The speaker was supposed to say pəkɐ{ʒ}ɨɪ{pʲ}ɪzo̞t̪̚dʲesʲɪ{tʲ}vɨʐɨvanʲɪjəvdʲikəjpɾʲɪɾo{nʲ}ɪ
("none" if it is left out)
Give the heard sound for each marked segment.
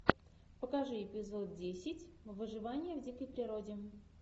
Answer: ʐ, pʲ, tʲ, dʲ

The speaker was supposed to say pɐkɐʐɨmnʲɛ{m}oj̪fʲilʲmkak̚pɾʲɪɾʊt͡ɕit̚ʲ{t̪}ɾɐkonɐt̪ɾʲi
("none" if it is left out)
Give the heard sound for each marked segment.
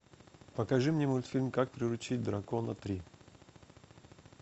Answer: m, d̪

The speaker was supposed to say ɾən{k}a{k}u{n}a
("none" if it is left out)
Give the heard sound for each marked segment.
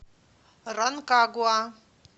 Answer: k, ɡ, none

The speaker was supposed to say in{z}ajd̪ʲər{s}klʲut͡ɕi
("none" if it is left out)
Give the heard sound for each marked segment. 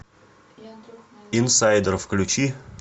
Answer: s, f

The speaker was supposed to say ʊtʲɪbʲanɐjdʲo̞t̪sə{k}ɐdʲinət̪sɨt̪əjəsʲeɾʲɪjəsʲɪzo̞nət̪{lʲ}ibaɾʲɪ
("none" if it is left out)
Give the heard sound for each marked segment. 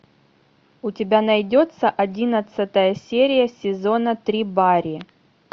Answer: ʔ, ɾʲ

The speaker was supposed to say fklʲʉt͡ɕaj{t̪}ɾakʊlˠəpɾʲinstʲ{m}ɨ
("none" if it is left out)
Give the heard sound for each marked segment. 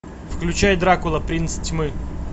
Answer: d̪, m

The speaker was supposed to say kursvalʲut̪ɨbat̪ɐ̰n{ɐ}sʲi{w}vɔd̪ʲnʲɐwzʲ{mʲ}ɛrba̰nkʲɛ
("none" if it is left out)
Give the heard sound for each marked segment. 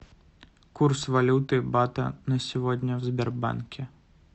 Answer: ɐ, none, bʲ

